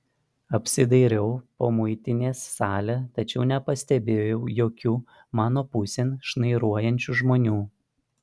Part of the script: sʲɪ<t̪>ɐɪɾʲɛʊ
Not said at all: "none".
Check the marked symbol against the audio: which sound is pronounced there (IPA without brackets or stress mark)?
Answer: d̪